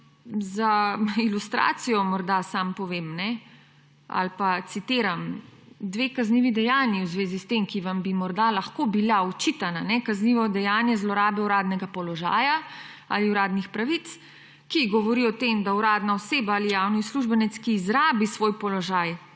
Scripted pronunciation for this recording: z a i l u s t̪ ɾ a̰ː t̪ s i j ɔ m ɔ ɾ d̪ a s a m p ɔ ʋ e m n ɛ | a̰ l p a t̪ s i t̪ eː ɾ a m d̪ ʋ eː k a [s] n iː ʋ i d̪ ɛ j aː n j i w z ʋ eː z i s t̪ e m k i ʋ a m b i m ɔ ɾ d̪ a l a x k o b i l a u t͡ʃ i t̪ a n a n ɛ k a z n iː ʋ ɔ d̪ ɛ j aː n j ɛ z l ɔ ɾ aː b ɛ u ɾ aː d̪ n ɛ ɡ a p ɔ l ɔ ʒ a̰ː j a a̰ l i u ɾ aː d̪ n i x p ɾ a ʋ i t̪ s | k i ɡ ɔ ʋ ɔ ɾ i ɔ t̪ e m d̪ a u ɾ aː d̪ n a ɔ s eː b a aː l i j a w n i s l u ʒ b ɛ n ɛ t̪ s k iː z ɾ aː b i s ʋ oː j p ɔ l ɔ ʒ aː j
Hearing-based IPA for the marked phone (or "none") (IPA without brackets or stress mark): z